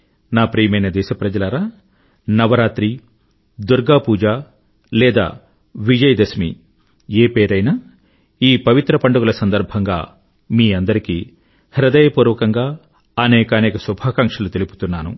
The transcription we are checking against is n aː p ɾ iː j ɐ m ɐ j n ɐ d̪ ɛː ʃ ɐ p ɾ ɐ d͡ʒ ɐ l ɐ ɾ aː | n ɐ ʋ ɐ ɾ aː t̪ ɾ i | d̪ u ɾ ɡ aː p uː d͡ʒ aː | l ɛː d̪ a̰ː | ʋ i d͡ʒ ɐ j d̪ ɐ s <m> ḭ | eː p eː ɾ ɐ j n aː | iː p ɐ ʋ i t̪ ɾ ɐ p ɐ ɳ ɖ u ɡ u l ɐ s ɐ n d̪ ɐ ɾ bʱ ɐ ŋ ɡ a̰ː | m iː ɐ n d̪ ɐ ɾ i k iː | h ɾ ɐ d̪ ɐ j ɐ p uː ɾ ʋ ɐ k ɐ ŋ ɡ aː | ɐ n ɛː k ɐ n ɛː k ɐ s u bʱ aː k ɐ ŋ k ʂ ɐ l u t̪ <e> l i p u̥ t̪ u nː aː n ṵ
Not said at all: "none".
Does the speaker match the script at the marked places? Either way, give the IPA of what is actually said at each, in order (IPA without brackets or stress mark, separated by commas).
m, e